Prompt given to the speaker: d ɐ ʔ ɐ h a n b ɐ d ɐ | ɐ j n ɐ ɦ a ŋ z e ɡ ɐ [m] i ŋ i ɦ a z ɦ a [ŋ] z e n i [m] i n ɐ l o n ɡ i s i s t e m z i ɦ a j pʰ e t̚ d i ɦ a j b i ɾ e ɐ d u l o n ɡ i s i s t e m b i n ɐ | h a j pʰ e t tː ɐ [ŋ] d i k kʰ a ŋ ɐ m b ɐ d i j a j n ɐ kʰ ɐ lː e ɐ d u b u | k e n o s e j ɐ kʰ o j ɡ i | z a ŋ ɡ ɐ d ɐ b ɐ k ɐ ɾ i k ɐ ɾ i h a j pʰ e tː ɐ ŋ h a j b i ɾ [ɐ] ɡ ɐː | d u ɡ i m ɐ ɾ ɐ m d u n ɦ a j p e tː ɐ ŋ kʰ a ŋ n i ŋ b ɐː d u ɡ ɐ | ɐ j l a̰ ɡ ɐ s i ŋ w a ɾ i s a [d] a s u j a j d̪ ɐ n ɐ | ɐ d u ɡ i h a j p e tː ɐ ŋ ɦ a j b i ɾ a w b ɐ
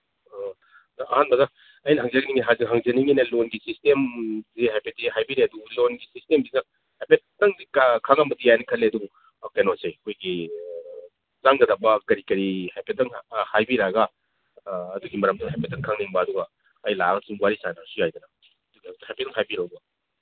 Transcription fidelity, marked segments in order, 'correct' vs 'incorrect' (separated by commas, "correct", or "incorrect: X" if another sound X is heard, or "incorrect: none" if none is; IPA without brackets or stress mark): incorrect: n, correct, incorrect: ŋ, correct, incorrect: a, incorrect: n